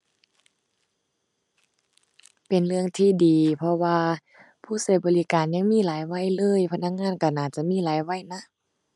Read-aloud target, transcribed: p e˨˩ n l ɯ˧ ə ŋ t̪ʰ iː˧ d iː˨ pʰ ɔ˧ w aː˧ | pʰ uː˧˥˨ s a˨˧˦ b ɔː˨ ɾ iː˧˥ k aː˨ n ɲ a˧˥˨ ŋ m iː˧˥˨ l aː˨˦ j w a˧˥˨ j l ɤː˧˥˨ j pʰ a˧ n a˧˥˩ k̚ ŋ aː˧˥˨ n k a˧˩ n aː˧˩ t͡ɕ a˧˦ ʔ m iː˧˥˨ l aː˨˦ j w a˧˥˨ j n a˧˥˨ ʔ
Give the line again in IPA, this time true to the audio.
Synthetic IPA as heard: p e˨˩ n l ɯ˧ ə ŋ t̪ʰ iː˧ d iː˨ pʰ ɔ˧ w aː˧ | pʰ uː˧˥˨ s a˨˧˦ b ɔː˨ l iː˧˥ k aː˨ n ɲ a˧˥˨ ŋ m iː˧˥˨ l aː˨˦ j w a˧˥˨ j l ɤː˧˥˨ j pʰ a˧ n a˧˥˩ k̚ ŋ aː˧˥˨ n k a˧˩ n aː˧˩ t͡ɕ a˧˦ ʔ m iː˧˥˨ l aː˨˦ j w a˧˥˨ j n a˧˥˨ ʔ

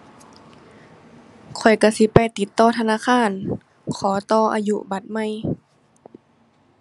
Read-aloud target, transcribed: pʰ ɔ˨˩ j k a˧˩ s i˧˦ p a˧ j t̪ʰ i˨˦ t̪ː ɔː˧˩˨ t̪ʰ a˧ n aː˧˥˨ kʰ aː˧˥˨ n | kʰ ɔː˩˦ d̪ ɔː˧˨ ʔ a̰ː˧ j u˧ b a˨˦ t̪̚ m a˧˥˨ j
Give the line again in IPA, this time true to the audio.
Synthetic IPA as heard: kʰ ɔ˨˩ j k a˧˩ s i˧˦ p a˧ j t̪ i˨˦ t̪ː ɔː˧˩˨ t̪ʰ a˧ n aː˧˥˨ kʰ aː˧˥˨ n | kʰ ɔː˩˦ t̪ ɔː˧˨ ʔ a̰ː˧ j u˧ b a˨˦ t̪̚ m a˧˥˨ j

